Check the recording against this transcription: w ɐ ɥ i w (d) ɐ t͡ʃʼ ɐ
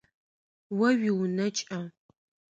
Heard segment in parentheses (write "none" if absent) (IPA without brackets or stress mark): n